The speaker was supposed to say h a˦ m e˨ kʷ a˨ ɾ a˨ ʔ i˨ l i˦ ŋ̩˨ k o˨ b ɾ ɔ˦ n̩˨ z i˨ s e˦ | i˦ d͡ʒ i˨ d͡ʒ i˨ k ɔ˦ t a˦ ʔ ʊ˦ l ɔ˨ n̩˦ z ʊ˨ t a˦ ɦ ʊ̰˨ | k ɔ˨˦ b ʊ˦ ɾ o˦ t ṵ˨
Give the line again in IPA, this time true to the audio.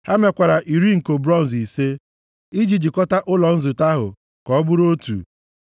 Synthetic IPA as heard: h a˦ m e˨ kʷ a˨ ɾ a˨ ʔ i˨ ɾ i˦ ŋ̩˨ k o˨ b ɾ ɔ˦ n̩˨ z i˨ s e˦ | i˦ d͡ʒ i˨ d͡ʒ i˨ k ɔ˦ t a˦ ʔ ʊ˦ l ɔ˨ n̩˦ z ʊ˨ t a˦ ɦ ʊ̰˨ | k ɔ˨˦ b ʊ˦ ɾ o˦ t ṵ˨